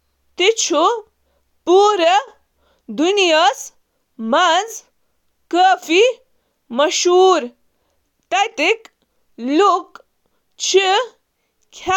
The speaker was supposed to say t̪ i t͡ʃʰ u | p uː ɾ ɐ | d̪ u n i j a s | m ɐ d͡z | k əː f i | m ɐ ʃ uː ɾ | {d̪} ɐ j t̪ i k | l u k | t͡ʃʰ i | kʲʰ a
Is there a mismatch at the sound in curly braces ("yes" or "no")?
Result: yes